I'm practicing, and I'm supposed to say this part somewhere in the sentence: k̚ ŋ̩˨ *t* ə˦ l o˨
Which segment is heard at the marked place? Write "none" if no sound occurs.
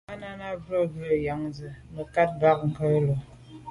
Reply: k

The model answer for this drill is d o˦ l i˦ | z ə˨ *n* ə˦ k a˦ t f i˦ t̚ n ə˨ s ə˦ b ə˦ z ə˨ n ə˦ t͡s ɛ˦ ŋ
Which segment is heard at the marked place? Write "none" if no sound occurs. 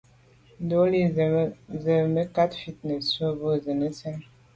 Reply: m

